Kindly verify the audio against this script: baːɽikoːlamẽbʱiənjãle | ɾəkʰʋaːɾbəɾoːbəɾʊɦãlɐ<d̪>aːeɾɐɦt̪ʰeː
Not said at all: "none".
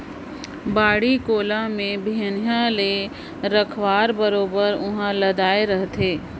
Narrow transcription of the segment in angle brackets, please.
d̪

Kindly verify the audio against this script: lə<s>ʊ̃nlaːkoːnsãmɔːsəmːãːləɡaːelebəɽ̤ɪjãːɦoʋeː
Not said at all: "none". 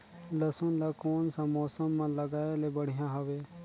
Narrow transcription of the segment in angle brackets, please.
s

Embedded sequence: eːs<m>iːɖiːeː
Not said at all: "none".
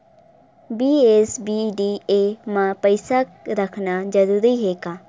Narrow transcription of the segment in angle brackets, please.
b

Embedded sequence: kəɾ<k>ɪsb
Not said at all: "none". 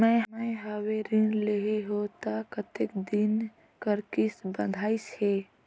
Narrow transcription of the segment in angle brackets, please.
k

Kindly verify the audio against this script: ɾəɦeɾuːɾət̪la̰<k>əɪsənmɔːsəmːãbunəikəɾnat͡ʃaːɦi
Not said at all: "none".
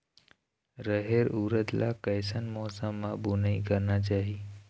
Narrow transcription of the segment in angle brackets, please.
k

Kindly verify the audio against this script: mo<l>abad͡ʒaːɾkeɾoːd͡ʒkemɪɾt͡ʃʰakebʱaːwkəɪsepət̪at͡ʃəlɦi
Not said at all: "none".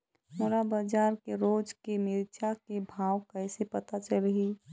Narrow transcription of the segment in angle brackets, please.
ɾ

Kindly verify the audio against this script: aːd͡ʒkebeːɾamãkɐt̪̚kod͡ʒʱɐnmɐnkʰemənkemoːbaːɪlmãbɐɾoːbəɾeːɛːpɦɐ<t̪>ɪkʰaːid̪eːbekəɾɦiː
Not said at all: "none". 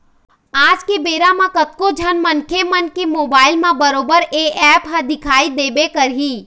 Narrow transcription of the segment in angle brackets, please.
d̪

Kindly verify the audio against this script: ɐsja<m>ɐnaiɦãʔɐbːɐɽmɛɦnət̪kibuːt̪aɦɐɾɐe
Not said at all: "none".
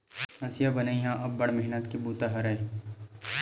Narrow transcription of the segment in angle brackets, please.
b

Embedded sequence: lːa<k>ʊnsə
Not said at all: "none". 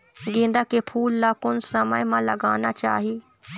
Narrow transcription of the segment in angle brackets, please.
k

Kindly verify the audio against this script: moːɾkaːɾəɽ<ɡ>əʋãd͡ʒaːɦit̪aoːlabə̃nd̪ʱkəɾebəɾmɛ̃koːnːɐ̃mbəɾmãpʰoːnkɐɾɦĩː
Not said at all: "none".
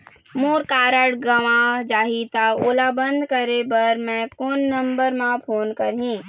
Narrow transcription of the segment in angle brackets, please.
ɡ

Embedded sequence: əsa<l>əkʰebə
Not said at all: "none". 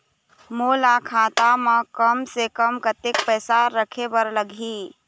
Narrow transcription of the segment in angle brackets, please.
ɾ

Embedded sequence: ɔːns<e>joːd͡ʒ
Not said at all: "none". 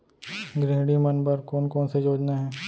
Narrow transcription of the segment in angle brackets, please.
e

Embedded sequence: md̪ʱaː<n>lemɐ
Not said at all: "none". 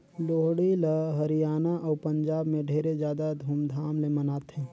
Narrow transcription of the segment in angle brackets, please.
m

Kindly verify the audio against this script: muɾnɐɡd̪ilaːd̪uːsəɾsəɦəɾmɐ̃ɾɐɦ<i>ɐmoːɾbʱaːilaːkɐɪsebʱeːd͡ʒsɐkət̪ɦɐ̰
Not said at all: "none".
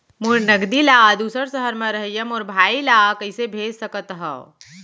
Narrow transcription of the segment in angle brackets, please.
j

